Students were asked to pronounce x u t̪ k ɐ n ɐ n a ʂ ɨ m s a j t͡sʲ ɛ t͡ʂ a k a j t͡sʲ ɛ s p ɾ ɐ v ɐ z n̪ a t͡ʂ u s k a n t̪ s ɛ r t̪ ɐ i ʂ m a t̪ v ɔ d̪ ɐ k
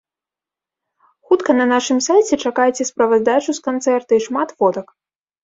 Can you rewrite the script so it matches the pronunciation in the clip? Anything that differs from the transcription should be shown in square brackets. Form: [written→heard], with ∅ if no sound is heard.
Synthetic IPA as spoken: x u t̪ k ɐ n ɐ n a ʂ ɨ m s a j t͡sʲ ɛ t͡ʂ a k a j t͡sʲ ɛ s p ɾ ɐ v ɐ z [n̪→d̪] a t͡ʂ u s k a n t̪ s ɛ r t̪ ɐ i ʂ m a t̪ v ɔ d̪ ɐ k